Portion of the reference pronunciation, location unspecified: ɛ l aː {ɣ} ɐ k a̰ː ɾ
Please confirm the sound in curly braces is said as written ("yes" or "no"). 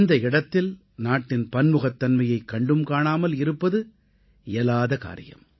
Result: no